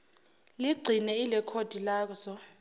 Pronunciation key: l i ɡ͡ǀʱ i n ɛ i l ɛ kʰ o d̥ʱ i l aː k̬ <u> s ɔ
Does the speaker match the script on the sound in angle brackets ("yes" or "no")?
no